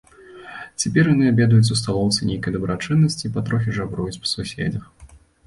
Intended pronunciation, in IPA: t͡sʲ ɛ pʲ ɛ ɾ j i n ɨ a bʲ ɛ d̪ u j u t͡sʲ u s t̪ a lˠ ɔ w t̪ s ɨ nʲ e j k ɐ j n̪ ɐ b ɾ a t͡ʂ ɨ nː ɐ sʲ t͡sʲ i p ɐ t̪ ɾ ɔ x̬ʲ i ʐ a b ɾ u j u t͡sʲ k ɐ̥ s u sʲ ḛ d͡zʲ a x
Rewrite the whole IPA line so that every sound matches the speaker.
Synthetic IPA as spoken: t͡sʲ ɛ pʲ ɛ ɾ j a n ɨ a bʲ ɛ d̪ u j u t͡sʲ u s t̪ a lˠ ɔ w t̪ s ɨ nʲ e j k ɐ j d̪ ɐ b ɾ a t͡ʂ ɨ nː ɐ sʲ t͡sʲ i p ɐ t̪ ɾ ɔ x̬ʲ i ʐ a b ɾ u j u t͡sʲ p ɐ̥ s u sʲ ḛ d͡zʲ ɐ x